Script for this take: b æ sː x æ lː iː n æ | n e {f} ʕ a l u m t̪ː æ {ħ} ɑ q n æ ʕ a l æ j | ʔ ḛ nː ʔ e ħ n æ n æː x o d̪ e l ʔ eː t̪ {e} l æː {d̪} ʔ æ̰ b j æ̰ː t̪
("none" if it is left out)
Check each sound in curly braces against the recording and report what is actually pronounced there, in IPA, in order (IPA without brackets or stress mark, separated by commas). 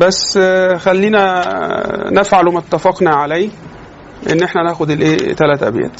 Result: f, f, æ, t̪